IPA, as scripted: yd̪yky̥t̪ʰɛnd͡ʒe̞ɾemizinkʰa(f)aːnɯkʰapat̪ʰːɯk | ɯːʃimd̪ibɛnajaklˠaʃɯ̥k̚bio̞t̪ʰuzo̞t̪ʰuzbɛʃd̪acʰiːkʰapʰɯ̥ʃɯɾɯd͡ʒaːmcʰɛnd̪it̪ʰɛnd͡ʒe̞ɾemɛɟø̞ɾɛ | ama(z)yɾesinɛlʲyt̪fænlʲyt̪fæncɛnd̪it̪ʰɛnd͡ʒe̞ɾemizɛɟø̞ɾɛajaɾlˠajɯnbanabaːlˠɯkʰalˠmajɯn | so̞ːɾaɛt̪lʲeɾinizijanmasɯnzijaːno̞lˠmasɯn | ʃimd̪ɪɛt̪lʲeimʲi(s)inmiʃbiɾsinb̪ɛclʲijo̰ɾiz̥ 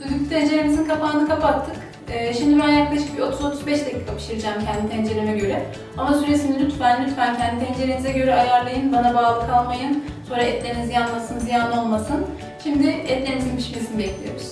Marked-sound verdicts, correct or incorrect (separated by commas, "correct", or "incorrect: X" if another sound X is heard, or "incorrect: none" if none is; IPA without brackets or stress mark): correct, incorrect: s, incorrect: z